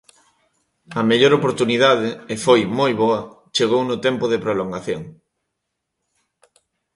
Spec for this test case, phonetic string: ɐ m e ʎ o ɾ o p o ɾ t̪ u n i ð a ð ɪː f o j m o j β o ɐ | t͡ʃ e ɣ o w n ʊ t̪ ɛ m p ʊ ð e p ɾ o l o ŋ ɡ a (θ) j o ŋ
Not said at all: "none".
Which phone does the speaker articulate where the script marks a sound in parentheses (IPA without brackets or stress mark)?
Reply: θ